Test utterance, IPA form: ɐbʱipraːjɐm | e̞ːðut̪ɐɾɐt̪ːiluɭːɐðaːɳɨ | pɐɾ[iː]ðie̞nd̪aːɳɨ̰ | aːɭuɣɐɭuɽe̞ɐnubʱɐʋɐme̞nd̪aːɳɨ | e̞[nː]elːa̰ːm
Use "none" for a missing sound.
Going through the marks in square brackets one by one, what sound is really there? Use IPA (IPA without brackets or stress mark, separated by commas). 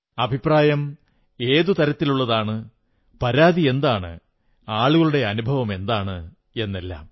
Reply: aː, nː